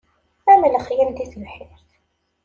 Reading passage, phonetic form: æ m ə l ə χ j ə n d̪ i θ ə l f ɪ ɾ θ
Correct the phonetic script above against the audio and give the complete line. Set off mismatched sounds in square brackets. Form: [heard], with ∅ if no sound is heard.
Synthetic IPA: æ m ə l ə χ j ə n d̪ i θ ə l [ħ] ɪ ɾ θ